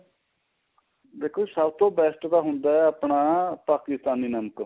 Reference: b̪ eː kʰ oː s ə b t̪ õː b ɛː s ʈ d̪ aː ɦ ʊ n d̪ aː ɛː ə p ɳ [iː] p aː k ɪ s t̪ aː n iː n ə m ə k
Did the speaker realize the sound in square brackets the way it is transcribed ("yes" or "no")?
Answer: no